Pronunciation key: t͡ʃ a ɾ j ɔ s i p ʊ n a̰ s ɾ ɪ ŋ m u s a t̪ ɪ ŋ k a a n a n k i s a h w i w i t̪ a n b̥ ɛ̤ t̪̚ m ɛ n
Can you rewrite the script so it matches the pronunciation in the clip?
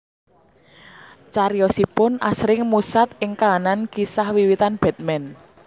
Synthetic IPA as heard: t͡ʃ a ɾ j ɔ s i p ʊ n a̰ s ɾ ɪ ŋ m u s a t̪ ɪ ŋ k a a n a n k i s a h w i w i t̪ a n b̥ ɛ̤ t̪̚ m ɛ n

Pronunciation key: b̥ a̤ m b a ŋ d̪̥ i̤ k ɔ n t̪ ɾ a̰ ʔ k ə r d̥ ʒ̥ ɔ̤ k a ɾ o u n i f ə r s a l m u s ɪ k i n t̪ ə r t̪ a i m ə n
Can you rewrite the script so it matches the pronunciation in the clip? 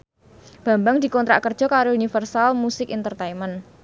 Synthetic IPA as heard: b̥ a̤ m b a ŋ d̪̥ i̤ k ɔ n t̪ ɾ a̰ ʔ k ə r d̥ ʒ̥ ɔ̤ k a ɾ o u n i f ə r s a l m u s ɪ k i n t̪ ə r t̪ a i m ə n

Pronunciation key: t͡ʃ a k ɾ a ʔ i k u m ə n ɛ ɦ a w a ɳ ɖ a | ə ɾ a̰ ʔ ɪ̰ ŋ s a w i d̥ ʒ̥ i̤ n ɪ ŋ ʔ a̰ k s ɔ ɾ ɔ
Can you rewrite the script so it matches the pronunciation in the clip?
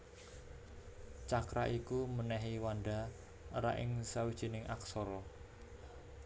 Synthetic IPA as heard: t͡ʃ a k ɾ a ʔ i k u m ə n ɛ ɦ i w a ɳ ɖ a | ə ɾ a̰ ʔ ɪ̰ ŋ s a w i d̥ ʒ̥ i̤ n ɪ ŋ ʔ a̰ k s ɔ ɾ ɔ

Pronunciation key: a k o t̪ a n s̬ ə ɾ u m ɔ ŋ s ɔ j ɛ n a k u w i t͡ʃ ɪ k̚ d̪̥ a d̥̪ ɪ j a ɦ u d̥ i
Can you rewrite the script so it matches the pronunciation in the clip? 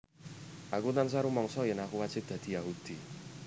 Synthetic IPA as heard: a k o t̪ a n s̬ a ɾ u m ɔ ŋ s ɔ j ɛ n a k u w a t͡ʃ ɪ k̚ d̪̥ a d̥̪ i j a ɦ u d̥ i

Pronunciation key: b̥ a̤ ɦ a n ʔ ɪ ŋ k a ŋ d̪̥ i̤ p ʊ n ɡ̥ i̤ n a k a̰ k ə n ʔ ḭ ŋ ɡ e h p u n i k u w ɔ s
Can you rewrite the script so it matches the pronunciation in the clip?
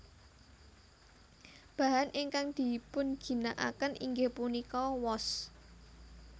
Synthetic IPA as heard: b̥ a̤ ɦ a n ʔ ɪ ŋ k a ŋ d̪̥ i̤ p ʊ n ɡ̥ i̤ n a ʔ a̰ k ə n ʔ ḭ ŋ ɡ e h p u n i k ɔ w ɔ s

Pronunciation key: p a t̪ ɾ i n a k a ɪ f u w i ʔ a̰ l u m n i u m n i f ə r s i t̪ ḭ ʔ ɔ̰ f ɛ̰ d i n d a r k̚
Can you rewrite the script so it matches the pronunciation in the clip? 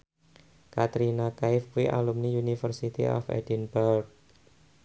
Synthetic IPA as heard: k a t̪ ɾ i n a k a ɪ f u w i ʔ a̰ l u m n i u n i f ə r s i t̪ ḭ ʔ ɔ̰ f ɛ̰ d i n b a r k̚

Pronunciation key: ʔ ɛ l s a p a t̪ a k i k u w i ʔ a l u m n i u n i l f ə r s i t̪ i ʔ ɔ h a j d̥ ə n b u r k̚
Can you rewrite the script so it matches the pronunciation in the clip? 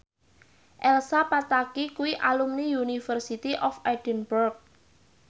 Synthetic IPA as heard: ʔ ɛ l s a p a t̪ a k i k u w i ʔ a l u m n i u n i f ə r s i t̪ i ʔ ɔ f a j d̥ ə n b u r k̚

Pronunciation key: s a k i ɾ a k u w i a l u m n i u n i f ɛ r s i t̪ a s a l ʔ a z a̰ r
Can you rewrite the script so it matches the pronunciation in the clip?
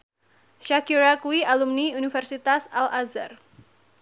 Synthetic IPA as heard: ʃ a k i ɾ a k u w i a l u m n i u n i f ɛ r s i t̪ a s a l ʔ a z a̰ r

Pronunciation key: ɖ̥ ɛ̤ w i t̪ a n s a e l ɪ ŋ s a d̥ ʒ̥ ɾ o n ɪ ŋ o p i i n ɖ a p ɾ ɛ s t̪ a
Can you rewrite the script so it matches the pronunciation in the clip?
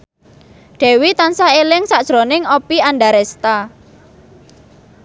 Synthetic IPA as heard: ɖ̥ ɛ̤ w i t̪ a n s a e l ɪ ŋ s a d̥ ʒ̥ ɾ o n ɪ ŋ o p i a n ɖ a ɾ ɛ s t̪ a

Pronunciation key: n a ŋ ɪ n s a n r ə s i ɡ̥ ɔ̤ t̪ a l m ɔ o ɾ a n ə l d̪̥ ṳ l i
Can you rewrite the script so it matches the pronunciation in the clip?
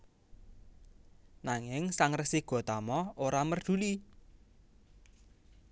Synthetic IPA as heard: n a ŋ ɪ ŋ s a ŋ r ə s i ɡ̥ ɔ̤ t̪ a m ɔ o ɾ a m ə r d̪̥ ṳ l i

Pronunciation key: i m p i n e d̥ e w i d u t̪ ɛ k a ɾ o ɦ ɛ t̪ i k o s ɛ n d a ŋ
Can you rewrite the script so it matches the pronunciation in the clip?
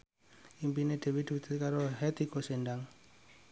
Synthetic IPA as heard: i m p i n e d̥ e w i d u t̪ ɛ k a ɾ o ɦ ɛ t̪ i k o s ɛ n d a ŋ

